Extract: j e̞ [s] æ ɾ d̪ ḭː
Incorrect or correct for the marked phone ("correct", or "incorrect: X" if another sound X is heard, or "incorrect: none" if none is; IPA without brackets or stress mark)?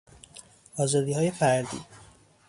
incorrect: f